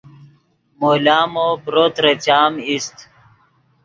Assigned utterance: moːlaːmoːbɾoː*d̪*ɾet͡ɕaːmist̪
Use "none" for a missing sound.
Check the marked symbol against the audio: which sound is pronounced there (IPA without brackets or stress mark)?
t̪